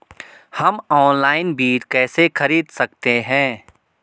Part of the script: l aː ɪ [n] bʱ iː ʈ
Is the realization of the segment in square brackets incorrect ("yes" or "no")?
no